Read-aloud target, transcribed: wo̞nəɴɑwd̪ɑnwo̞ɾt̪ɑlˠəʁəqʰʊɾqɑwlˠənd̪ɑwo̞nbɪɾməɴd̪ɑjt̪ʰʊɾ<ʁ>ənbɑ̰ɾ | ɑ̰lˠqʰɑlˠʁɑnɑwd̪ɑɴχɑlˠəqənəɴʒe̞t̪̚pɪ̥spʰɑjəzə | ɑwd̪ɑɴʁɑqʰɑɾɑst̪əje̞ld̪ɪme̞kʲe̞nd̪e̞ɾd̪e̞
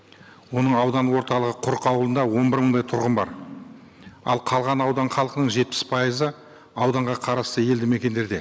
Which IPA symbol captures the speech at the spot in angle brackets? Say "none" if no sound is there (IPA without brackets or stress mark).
ʁ